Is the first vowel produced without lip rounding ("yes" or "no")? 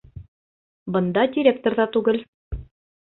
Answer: yes